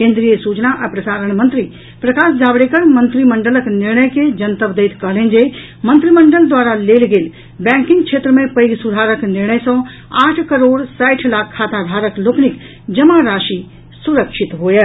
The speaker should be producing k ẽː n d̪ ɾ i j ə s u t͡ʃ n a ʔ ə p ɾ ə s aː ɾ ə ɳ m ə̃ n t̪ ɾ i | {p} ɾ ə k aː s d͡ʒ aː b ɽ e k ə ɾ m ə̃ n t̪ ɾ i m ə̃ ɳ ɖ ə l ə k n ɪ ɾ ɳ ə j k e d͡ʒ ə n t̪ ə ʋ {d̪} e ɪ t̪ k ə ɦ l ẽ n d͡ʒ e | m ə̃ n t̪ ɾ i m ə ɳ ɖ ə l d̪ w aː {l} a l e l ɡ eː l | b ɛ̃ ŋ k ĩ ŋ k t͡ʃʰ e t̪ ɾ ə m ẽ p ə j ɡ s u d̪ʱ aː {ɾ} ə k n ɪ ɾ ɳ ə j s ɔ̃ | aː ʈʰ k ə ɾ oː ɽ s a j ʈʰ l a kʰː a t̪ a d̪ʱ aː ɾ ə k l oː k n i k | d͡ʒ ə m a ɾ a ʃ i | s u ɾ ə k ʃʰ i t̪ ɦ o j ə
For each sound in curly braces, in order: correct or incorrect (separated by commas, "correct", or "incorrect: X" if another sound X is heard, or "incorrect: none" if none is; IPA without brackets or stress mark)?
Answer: correct, correct, incorrect: ɾ, correct